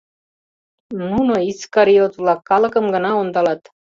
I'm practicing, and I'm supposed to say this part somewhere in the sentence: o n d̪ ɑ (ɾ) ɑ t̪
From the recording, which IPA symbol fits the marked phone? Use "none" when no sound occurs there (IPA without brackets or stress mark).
l